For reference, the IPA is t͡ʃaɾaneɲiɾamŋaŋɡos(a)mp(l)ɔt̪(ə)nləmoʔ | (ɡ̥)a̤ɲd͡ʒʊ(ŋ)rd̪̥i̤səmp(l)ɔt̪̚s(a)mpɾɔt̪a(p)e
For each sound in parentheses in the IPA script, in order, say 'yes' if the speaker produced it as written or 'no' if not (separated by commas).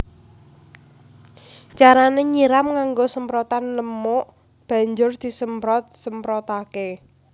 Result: no, no, no, no, no, no, no, no